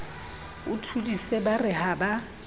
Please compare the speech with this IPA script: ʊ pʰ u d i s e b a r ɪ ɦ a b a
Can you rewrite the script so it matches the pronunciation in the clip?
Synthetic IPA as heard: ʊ tʰ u d i s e b a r ɪ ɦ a b a